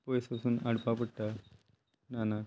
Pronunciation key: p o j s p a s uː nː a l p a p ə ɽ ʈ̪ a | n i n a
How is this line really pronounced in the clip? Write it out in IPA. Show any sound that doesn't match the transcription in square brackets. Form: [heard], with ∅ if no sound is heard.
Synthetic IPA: p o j s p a s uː [n] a [ɽ] p a p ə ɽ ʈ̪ a | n [a] n a

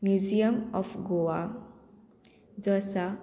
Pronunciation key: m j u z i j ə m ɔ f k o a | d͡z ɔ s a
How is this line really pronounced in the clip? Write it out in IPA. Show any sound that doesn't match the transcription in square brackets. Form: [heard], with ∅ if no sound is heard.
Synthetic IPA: m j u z i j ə m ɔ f [ɡ] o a | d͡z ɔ s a

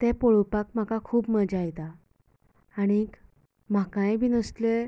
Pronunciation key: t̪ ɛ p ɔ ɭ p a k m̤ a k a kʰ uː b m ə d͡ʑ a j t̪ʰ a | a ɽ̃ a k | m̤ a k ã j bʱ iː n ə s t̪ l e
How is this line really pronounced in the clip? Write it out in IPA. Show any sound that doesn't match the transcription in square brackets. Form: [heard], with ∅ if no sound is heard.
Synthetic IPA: t̪ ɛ p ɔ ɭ p a k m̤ a k a kʰ uː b m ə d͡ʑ a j [t̪] a | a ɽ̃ [i] k | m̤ a k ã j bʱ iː n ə s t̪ l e

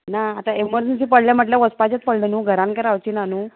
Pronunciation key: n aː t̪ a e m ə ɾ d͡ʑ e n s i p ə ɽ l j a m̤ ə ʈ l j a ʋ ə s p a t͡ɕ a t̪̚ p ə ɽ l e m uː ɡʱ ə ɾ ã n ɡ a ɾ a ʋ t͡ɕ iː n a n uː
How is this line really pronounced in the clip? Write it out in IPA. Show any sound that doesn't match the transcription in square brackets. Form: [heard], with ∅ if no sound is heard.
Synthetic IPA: n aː t̪ a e m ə ɾ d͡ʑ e n s i p ə ɽ l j a m̤ ə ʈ l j a ʋ ə s p a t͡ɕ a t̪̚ p ə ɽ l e [n] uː ɡʱ ə ɾ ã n [k] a ɾ a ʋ t͡ɕ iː n a n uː

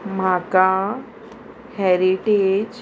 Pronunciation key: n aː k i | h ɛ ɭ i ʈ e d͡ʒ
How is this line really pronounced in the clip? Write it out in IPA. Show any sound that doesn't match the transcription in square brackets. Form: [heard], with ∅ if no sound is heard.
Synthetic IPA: [m] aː k [a] | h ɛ [ɾ] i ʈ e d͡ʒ

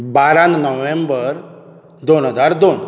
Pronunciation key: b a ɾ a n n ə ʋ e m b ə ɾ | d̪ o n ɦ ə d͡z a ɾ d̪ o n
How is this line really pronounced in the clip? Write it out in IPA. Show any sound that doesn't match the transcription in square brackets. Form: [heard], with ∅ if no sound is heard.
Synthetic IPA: b a ɾ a n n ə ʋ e m b ə ɾ | d̪ o n ɦ ə d͡z a ɾ d̪ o n

